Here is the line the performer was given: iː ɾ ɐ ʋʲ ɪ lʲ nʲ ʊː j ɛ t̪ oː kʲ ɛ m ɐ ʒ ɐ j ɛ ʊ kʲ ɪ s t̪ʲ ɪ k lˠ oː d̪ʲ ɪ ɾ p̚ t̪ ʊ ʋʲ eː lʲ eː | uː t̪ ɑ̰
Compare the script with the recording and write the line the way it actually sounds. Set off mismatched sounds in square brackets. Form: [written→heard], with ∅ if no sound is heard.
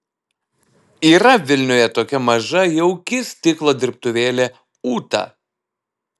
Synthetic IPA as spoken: iː ɾ ɐ ʋʲ ɪ lʲ nʲ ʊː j ɛ t̪ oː kʲ ɛ m ɐ ʒ ɐ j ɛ ʊ kʲ ɪ s t̪ʲ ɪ k lˠ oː d̪ʲ ɪ ɾ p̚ t̪ ʊ ʋʲ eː lʲ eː | uː t̪ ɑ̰

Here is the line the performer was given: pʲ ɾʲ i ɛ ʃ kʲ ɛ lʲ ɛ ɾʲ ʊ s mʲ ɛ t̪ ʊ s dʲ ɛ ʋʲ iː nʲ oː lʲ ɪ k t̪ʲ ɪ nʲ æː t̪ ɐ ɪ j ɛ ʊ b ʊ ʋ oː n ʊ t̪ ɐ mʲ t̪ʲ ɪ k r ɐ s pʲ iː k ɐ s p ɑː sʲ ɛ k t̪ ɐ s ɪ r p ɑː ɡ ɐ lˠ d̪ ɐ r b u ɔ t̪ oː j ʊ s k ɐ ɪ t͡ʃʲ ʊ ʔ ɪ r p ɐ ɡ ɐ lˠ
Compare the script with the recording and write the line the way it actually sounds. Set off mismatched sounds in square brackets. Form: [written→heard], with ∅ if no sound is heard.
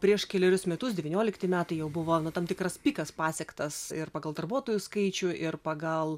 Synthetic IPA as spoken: pʲ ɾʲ i ɛ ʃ kʲ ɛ lʲ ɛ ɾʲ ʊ s mʲ ɛ t̪ ʊ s dʲ ɛ ʋʲ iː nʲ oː lʲ ɪ k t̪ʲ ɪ [nʲ→mʲ] æː t̪ ɐ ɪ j ɛ ʊ b ʊ ʋ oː n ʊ t̪ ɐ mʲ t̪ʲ ɪ k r ɐ s pʲ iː k ɐ s p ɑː sʲ ɛ k t̪ ɐ s ɪ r p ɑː ɡ ɐ lˠ d̪ ɐ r b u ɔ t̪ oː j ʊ s k ɐ ɪ t͡ʃʲ ʊ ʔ ɪ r p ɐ ɡ ɐ lˠ

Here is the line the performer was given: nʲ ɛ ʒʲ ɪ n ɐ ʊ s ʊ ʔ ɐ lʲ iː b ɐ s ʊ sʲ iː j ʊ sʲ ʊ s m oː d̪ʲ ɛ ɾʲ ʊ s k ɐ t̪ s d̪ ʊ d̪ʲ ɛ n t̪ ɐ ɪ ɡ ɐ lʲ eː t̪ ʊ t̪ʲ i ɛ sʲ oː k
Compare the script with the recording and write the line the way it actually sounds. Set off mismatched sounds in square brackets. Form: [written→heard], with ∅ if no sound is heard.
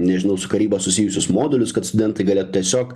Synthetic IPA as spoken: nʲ ɛ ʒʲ ɪ n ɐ ʊ s ʊ [ʔ→k] ɐ [lʲ→ɾʲ] iː b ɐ s ʊ sʲ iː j ʊ sʲ ʊ s m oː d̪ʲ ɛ [ɾʲ→lʲ] ʊ s k ɐ t̪ s [d̪→t̪] ʊ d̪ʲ ɛ n t̪ ɐ ɪ ɡ ɐ lʲ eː t̪ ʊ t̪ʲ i ɛ sʲ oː k

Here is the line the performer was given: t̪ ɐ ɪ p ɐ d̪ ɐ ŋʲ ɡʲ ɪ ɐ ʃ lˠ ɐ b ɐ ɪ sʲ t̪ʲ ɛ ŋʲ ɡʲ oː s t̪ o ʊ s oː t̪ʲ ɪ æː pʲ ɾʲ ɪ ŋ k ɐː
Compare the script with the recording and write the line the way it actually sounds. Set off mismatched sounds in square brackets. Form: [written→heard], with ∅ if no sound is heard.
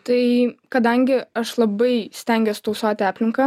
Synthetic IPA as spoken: t̪ ɐ ɪ [p→k] ɐ d̪ ɐ ŋʲ ɡʲ ɪ ɐ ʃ lˠ ɐ b ɐ ɪ sʲ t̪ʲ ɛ ŋʲ ɡʲ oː s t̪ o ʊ s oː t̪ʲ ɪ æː pʲ [ɾʲ→lʲ] ɪ ŋ k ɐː

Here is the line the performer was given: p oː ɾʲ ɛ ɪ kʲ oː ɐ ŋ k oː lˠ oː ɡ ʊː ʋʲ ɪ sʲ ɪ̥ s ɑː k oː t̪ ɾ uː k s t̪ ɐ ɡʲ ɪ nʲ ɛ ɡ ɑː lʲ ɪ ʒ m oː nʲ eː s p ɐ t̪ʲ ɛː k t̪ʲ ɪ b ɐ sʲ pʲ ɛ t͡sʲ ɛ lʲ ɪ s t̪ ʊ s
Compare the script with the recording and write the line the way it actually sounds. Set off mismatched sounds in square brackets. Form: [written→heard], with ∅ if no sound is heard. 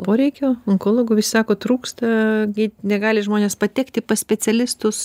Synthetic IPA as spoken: p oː ɾʲ ɛ ɪ kʲ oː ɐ ŋ k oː lˠ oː ɡ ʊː ʋʲ ɪ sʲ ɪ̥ s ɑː k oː t̪ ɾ uː k s t̪ ɐ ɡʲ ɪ nʲ ɛ ɡ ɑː lʲ ɪ ʒ m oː nʲ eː s p ɐ t̪ʲ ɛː k t̪ʲ ɪ [b→p] ɐ sʲ pʲ ɛ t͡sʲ ɛ lʲ ɪ s t̪ ʊ s

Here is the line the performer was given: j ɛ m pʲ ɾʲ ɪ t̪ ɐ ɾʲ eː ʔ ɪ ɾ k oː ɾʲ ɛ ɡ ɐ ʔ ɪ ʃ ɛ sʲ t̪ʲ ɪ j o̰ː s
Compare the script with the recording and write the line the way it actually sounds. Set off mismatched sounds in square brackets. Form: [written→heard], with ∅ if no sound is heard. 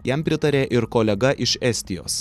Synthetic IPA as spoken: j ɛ m pʲ ɾʲ ɪ t̪ ɐ ɾʲ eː ʔ ɪ ɾ k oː [ɾʲ→lʲ] ɛ ɡ ɐ ʔ ɪ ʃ ɛ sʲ t̪ʲ ɪ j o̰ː s

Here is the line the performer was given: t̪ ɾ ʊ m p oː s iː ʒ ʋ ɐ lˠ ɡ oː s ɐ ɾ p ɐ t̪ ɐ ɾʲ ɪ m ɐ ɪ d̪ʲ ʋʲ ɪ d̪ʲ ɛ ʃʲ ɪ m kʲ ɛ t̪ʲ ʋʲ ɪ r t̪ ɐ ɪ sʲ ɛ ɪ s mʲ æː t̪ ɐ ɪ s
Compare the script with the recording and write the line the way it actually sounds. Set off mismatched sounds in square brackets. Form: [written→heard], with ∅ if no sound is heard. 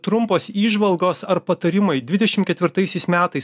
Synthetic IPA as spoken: t̪ ɾ ʊ m p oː s iː ʒ ʋ ɐ lˠ ɡ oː s ɐ ɾ p ɐ t̪ ɐ ɾʲ ɪ m ɐ ɪ d̪ʲ ʋʲ ɪ d̪ʲ ɛ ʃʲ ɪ m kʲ ɛ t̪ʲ ʋʲ ɪ [r→ɾ] t̪ ɐ ɪ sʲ ɛ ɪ s mʲ æː t̪ ɐ ɪ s

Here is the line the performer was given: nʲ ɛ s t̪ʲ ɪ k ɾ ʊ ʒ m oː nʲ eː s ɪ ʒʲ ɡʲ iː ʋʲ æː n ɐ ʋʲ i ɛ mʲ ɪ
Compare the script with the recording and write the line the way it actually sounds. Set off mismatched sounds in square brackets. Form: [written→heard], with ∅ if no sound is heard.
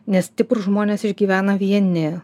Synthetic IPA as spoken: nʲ ɛ s t̪ʲ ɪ [k→p] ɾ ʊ ʒ m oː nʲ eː s ɪ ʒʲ ɡʲ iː ʋʲ æː n ɐ ʋʲ i ɛ [mʲ→nʲ] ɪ

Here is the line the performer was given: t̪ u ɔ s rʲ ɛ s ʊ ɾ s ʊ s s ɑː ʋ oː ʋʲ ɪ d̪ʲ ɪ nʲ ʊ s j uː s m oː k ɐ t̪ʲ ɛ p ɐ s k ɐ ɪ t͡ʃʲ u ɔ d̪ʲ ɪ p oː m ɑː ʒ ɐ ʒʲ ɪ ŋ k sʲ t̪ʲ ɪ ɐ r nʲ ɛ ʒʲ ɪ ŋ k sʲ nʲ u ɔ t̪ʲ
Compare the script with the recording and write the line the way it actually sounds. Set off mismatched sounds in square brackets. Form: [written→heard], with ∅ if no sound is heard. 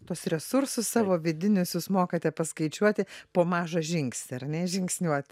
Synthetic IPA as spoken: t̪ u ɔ s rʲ ɛ s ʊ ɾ s ʊ s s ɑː ʋ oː ʋʲ ɪ d̪ʲ ɪ nʲ ʊ s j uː s m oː k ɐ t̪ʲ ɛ p ɐ s k ɐ ɪ t͡ʃʲ u ɔ [d̪ʲ→t̪ʲ] ɪ p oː m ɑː ʒ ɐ ʒʲ ɪ ŋ k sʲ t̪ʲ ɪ ɐ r nʲ ɛ ʒʲ ɪ ŋ k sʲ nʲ u ɔ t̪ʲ

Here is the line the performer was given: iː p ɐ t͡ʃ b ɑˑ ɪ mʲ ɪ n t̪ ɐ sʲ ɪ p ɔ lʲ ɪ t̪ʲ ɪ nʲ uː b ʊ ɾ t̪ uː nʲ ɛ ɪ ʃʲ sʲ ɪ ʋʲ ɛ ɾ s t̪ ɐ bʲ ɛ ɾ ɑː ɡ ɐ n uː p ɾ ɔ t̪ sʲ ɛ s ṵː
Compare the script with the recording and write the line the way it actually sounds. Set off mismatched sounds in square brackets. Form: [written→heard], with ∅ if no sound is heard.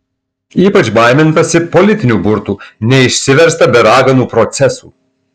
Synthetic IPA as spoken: iː p ɐ t͡ʃ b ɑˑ ɪ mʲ ɪ n t̪ ɐ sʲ ɪ p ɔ lʲ ɪ t̪ʲ ɪ nʲ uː b ʊ ɾ t̪ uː nʲ ɛ ɪ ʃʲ sʲ ɪ ʋʲ ɛ ɾ s t̪ ɐ bʲ ɛ ɾ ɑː ɡ ɐ n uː p ɾ ɔ t̪ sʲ ɛ s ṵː

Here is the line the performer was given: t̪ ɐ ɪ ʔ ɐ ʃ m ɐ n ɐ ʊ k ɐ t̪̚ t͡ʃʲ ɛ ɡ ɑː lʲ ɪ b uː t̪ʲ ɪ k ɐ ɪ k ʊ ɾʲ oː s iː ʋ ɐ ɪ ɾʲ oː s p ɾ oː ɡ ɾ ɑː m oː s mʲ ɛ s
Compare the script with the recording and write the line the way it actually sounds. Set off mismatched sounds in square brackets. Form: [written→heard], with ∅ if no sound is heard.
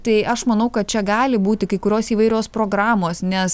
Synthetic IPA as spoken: t̪ ɐ ɪ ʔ ɐ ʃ m ɐ n ɐ ʊ k ɐ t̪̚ t͡ʃʲ ɛ ɡ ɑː lʲ ɪ b uː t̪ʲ ɪ k ɐ ɪ k ʊ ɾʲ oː s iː ʋ ɐ ɪ ɾʲ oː s p ɾ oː ɡ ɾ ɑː m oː s [mʲ→nʲ] ɛ s

